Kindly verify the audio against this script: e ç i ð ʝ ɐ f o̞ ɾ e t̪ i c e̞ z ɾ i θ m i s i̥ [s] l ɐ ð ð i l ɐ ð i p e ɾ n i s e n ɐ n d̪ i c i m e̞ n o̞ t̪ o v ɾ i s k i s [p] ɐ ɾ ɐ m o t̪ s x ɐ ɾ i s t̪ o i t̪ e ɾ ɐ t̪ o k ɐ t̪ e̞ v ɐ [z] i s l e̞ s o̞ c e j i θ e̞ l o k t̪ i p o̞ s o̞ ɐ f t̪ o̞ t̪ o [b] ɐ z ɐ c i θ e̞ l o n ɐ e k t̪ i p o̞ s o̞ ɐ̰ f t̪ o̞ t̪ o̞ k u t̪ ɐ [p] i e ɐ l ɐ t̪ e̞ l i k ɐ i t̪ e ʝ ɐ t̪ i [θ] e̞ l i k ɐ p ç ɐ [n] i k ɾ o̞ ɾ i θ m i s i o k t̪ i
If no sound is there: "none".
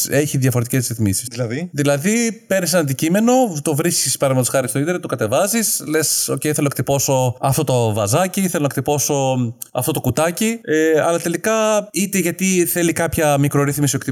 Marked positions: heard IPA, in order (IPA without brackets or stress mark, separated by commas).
s, p, z, v, c, θ, m